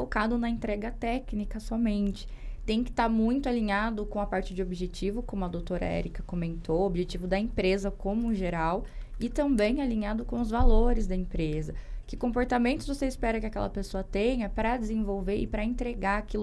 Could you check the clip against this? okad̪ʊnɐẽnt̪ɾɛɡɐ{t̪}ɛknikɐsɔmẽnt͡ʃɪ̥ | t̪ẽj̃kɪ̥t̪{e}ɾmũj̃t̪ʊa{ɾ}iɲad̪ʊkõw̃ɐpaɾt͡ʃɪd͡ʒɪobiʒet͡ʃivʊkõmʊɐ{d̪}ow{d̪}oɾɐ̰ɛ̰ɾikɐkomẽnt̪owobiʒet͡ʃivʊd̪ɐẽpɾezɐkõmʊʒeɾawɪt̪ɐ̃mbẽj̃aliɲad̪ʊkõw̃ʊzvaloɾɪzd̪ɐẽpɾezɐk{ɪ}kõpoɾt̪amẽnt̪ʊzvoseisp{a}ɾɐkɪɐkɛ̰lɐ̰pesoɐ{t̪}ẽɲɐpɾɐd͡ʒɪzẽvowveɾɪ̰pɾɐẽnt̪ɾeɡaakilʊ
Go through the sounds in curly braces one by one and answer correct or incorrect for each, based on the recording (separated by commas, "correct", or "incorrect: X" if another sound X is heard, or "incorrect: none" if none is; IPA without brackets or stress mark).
correct, incorrect: a, incorrect: l, correct, incorrect: t̪, correct, incorrect: ɛ, correct